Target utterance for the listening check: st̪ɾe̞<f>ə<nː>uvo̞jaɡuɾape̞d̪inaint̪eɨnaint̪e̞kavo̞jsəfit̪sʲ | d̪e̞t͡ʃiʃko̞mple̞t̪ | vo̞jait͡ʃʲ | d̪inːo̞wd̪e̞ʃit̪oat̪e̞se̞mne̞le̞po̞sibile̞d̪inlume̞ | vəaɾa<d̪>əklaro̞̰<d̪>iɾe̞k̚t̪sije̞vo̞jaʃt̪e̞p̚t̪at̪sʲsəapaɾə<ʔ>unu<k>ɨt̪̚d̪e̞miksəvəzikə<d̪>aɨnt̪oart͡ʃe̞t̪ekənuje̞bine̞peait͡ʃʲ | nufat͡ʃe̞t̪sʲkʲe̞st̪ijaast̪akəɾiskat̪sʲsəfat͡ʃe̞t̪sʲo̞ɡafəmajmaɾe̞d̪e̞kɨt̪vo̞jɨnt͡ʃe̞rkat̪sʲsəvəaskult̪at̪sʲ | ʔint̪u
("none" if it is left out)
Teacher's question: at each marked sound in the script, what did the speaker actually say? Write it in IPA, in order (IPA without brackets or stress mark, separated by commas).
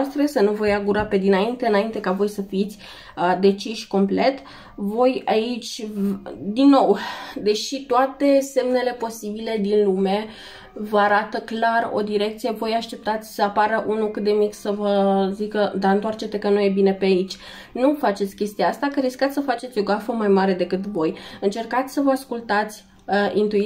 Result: s, n, t̪, d̪, ʔ, k, d̪